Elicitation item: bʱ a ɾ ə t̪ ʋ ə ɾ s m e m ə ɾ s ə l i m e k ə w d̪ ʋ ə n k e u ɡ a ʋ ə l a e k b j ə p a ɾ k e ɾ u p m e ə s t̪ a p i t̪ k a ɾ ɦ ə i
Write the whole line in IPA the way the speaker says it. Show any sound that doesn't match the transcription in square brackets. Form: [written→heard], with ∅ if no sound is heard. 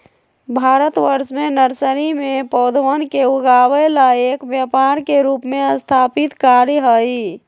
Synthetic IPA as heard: bʱ a ɾ ə t̪ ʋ ə ɾ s m e [m→n] ə ɾ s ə [l→ɾ] i m e [k→p] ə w d̪ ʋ ə n k e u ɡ a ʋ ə l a e k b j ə p a ɾ k e ɾ u p m e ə s [t̪→t̪ʰ] a p i t̪ k a ɾ ɦ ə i